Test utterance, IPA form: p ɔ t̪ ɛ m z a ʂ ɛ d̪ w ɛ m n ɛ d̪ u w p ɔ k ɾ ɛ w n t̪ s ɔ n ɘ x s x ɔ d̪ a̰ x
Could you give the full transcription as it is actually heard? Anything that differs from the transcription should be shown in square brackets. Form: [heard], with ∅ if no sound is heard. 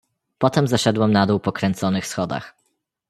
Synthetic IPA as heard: p ɔ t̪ ɛ m z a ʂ ɛ d̪ w ɛ m n [a] d̪ u w p ɔ k ɾ ɛ [∅] n t̪ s ɔ n ɘ x s x ɔ d̪ a̰ x